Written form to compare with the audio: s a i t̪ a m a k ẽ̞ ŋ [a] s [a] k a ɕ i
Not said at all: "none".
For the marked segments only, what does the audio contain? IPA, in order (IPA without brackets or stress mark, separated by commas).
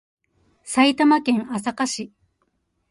a, a